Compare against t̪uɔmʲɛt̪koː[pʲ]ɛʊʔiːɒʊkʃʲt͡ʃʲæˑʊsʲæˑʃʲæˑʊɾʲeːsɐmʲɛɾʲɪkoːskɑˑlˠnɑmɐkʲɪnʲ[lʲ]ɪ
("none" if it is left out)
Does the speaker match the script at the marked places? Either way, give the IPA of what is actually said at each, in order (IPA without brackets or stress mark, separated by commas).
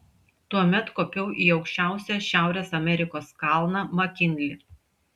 pʲ, lʲ